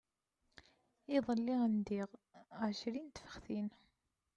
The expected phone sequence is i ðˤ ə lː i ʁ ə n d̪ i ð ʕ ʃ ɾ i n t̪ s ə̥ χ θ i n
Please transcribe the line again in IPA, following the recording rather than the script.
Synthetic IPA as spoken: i ðˤ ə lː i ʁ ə n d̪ i ʁ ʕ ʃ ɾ i n t̪ f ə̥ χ θ i n